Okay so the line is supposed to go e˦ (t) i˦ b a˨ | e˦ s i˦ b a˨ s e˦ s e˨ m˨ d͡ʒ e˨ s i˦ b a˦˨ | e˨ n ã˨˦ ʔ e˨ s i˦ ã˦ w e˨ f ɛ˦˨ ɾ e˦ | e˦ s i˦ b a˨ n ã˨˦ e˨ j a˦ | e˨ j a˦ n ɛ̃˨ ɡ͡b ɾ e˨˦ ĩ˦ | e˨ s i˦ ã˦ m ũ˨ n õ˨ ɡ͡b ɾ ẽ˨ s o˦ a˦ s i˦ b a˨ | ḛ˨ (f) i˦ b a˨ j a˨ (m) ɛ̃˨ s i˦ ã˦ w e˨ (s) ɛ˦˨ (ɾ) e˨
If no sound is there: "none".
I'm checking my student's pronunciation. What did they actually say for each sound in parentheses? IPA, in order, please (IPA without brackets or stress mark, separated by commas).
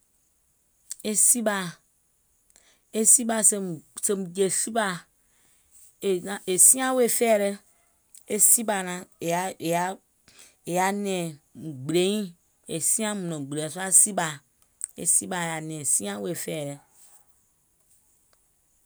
s, s, n, f, ɾ